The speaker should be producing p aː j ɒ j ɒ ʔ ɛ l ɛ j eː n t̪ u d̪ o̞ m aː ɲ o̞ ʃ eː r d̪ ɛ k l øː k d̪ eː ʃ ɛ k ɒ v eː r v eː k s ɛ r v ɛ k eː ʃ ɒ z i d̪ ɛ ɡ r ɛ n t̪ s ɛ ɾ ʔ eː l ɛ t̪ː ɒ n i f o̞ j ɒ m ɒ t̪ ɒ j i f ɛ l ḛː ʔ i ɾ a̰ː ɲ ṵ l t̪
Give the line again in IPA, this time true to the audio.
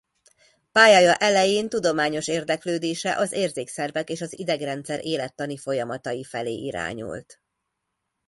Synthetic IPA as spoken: p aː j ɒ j ɒ ʔ ɛ l ɛ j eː n t̪ u d̪ o̞ m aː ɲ o̞ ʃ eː r d̪ ɛ k l øː d̪ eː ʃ ɛ ʔ ɒ z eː r z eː k s ɛ r v ɛ k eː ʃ ɒ z i d̪ ɛ ɡ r ɛ n t̪ s ɛ ɾ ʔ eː l ɛ t̪ː ɒ n i f o̞ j ɒ m ɒ t̪ ɒ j i f ɛ l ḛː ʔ i ɾ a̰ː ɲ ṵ l t̪